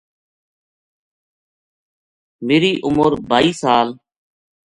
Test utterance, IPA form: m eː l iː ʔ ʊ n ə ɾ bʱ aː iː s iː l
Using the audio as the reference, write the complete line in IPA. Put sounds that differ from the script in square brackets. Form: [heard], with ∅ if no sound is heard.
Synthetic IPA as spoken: m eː [ɾ] iː ʔ ʊ [m] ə ɾ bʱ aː iː s [aː] l

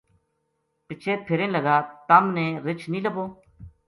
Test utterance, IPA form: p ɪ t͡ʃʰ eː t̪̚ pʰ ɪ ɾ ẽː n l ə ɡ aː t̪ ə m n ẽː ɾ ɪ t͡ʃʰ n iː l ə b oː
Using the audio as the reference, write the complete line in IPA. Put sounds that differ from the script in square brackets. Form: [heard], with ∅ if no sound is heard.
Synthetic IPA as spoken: p ɪ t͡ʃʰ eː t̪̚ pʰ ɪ ɾ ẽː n l ə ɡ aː t̪ ə m n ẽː ɾ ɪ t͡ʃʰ n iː l ə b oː

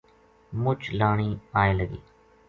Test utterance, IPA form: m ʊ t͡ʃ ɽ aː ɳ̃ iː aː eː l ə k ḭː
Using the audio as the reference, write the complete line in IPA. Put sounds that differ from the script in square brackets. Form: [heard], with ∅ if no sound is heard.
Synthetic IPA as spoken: m ʊ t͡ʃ [l] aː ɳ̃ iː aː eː l ə [ɡ] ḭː

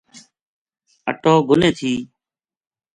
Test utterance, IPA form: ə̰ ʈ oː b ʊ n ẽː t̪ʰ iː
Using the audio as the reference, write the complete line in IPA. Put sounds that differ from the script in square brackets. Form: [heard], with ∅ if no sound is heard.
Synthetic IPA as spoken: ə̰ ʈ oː [ɡ] ʊ n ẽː t̪ʰ iː

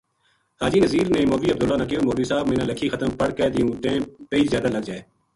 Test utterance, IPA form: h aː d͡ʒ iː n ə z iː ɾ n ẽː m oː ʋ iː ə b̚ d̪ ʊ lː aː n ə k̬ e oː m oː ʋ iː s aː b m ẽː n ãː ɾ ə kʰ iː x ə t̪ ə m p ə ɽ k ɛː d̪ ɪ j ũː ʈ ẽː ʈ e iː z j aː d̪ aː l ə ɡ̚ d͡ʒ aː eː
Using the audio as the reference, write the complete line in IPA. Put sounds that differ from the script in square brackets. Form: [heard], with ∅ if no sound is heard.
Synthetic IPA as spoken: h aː d͡ʒ iː n ə z iː ɾ n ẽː m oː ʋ iː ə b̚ d̪ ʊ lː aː n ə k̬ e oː m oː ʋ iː s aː b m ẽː n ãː [l] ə kʰ iː x ə t̪ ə m p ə ɽ k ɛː d̪ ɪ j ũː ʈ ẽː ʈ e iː z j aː d̪ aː l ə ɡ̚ d͡ʒ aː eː

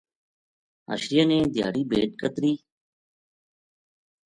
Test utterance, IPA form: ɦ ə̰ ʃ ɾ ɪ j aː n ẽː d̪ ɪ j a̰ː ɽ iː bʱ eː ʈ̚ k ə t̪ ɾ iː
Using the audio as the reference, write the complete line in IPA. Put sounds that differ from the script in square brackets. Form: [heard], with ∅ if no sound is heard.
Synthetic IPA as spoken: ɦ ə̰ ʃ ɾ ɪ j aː n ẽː d̪ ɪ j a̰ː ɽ iː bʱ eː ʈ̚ k ə t̪ ɾ iː

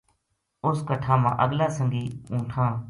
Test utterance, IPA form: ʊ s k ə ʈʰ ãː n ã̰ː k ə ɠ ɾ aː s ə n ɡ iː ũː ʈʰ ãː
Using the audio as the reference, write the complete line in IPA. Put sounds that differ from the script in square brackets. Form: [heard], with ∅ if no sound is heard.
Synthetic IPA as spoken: ʊ s k ə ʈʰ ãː [m] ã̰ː [ʔ] ə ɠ [l] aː s ə [ŋ] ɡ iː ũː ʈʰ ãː

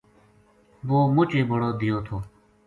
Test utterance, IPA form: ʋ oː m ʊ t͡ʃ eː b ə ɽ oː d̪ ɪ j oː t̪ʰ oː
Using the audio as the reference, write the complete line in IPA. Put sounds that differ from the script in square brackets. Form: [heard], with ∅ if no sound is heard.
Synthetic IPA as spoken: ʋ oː m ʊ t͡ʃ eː b ə ɽ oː d̪ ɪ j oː t̪ʰ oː

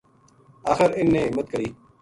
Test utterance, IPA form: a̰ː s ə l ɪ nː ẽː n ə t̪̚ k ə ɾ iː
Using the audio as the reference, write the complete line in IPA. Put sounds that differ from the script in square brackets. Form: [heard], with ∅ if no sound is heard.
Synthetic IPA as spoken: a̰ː [x] ə [ɾ] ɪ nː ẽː [m] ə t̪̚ k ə ɾ iː

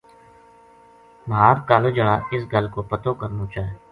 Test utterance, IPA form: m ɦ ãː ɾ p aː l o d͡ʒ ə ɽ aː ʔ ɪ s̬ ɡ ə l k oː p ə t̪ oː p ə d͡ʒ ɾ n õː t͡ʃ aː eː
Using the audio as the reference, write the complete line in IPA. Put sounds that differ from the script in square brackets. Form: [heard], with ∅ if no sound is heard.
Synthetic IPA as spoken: m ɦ [aː] ɾ [k] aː l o d͡ʒ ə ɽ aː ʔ ɪ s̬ ɡ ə l k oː p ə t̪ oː [k] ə [∅] ɾ n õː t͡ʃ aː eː

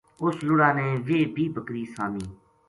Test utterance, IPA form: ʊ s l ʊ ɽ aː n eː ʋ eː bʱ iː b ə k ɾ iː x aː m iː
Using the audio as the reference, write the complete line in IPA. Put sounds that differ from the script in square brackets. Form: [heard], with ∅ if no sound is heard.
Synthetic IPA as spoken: ʊ s l ʊ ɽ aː n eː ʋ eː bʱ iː b ə k ɾ iː [s] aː m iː

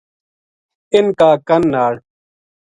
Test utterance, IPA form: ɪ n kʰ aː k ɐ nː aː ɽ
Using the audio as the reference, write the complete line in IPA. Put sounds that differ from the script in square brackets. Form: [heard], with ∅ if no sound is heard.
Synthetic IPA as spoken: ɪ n [k] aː k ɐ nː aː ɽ

